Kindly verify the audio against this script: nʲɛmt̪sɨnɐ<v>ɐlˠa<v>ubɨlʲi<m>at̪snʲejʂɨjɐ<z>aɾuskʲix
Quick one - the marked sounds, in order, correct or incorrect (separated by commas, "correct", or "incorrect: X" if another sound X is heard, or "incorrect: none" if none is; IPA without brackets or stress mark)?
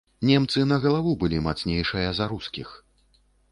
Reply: incorrect: ɣ, correct, correct, correct